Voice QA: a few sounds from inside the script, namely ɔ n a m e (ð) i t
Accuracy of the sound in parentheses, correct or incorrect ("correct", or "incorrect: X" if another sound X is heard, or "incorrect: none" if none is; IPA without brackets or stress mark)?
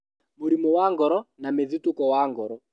correct